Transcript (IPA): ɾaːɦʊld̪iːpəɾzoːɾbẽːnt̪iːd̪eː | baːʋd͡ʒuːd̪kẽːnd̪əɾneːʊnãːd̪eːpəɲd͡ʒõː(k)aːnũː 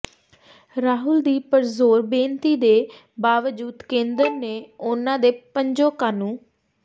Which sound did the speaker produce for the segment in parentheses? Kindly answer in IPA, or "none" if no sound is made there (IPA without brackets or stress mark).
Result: k